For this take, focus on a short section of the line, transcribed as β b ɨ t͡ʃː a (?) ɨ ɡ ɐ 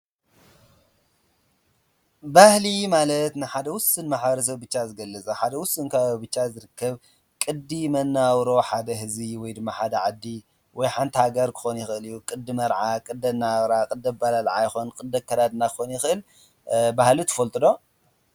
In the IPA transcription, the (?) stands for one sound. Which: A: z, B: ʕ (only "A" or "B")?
A